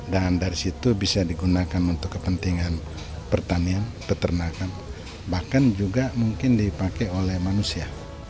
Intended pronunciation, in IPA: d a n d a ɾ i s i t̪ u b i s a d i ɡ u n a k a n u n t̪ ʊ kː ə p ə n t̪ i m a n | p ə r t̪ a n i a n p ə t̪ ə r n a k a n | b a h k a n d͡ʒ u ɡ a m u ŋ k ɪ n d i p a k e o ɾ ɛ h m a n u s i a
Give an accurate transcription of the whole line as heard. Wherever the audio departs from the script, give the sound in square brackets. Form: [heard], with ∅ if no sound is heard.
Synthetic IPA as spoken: d a n d a ɾ i s i t̪ u b i s a d i ɡ u n a k a n u n t̪ ʊ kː ə p ə n t̪ i [ŋ] a n | p ə r t̪ a n i a n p ə t̪ ə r n a k a n | b a h k a n d͡ʒ u ɡ a m u ŋ k ɪ n d i p a k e o [l] ɛ h m a n u s i a